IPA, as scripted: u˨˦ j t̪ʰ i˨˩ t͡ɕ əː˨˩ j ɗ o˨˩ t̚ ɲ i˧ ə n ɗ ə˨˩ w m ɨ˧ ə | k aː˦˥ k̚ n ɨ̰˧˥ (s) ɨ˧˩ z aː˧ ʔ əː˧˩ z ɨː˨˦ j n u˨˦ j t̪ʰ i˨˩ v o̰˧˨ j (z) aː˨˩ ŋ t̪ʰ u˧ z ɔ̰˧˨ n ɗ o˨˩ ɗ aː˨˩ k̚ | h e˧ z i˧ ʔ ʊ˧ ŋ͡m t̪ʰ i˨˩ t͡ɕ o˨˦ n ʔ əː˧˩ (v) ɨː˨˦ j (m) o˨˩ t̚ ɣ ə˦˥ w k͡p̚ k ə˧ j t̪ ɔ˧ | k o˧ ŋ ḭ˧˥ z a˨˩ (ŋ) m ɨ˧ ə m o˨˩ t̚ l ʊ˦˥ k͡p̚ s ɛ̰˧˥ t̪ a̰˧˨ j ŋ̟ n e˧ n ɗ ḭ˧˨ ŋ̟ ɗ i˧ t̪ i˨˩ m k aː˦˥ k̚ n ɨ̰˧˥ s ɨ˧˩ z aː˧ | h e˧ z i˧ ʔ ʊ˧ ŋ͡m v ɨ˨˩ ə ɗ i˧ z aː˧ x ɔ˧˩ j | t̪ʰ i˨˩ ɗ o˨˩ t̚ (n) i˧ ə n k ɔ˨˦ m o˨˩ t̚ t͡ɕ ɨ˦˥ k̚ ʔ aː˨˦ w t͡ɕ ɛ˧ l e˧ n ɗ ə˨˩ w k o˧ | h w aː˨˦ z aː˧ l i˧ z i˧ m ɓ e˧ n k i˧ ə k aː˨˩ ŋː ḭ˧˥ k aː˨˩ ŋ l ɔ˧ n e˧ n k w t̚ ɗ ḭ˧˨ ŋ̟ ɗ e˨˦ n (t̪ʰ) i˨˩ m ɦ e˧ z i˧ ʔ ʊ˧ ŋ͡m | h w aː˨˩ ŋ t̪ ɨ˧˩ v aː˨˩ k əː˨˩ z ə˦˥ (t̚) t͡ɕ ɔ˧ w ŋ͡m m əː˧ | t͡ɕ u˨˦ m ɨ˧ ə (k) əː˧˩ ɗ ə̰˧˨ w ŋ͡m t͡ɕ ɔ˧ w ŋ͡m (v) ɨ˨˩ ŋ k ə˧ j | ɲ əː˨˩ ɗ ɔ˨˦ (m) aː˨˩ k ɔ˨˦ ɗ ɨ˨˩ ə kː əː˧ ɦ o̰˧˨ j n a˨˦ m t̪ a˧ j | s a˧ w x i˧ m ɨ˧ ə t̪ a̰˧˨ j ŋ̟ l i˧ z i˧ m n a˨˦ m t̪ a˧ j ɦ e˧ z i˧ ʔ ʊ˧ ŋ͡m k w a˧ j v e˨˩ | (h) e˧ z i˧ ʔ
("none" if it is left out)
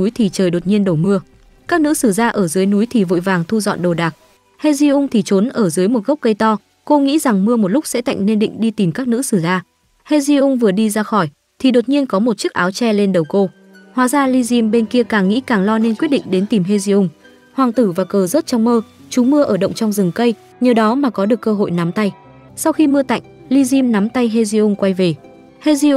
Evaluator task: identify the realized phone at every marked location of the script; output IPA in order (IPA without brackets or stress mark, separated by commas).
s, v, z, m, ŋ, ɲ, t̪, t̚, ʔ, z, m, h